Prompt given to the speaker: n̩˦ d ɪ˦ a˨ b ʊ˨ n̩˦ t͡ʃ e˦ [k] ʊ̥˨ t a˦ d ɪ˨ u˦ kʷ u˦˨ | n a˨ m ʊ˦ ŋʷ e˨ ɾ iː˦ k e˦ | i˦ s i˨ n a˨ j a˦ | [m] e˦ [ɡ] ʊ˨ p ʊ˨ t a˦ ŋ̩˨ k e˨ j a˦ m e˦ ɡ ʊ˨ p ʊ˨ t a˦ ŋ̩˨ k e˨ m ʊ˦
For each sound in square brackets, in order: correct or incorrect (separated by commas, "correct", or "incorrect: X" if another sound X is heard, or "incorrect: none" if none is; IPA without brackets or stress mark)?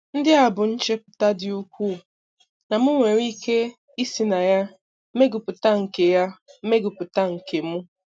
incorrect: p, correct, correct